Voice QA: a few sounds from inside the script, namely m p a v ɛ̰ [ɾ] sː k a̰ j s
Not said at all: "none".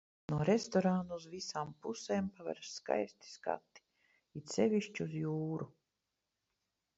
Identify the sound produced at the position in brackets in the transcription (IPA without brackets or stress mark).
ɾ